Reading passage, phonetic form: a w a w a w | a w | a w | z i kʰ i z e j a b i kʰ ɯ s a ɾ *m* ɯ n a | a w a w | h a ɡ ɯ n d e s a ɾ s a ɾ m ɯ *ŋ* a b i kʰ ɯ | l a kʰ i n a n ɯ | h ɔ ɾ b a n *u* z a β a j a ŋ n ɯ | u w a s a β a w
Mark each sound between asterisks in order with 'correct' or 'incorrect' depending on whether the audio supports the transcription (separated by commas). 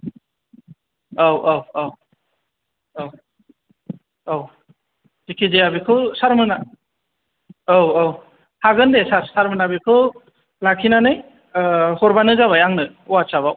correct, incorrect, incorrect